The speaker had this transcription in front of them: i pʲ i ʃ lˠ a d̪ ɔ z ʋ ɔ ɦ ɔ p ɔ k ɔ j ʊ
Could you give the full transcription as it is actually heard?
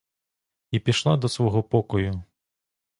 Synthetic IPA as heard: i pʲ i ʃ lˠ a d̪ ɔ s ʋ ɔ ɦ ɔ p ɔ k ɔ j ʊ